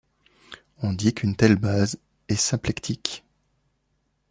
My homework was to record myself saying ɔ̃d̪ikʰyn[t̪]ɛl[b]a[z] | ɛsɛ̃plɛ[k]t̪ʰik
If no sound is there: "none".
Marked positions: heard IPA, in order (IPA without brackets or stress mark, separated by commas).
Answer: t̪, b, z, k